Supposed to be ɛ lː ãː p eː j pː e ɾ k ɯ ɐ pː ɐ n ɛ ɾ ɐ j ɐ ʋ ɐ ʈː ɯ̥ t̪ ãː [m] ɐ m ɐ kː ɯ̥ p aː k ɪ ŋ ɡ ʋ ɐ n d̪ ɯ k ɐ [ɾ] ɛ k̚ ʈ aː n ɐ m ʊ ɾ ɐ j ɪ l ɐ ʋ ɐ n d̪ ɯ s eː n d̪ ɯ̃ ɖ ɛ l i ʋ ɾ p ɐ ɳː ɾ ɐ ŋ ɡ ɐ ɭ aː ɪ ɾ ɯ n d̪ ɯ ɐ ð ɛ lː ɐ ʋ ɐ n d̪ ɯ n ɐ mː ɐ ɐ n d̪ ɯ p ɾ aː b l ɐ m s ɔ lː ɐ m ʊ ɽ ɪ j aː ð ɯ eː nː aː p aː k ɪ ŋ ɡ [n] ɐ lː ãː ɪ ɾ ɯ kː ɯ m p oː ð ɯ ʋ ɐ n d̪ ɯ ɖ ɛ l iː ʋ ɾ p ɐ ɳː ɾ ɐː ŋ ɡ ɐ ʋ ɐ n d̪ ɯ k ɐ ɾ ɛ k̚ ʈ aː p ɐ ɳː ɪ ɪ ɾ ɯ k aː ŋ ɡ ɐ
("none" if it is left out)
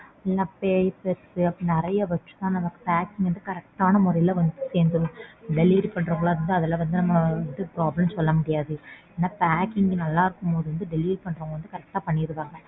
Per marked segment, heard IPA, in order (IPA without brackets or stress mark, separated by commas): n, ɾ, n